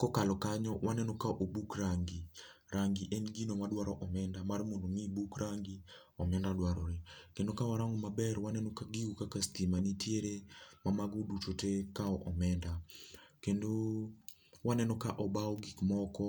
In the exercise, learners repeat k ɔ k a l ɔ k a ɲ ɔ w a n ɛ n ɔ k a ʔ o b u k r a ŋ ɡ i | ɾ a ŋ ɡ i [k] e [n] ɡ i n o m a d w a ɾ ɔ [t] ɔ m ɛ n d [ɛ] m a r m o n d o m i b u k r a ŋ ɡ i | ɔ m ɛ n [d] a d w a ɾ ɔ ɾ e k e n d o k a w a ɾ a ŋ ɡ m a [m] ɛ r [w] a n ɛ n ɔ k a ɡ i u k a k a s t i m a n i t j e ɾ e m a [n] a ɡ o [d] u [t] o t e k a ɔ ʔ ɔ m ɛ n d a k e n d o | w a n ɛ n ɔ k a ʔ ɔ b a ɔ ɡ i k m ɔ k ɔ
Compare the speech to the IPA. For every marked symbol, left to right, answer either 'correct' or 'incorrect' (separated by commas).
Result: incorrect, correct, incorrect, incorrect, correct, incorrect, correct, incorrect, correct, incorrect